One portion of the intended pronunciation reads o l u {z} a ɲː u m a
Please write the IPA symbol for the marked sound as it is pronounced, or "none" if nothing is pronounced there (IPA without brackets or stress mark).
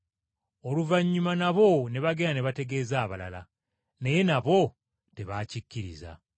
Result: v